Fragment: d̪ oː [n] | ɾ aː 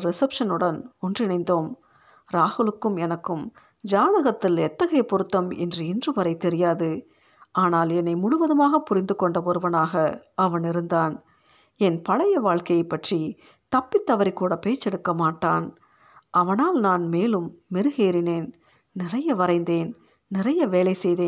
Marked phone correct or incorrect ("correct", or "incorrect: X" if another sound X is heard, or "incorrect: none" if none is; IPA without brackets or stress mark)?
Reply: incorrect: m